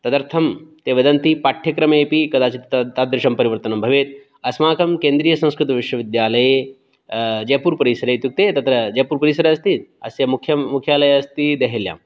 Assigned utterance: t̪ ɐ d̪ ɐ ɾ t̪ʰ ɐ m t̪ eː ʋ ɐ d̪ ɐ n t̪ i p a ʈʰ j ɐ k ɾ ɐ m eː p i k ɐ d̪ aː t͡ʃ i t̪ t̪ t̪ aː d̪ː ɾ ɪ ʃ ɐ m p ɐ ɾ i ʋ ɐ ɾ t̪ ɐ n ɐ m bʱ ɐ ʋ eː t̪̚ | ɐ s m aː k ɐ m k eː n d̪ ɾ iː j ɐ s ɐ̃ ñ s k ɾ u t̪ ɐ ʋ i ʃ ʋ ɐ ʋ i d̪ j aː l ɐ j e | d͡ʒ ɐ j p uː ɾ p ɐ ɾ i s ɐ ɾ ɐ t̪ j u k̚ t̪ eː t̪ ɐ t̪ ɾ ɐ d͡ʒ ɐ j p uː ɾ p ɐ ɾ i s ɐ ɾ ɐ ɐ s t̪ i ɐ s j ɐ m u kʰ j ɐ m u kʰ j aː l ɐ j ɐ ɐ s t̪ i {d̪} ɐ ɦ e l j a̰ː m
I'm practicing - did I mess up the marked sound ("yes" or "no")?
no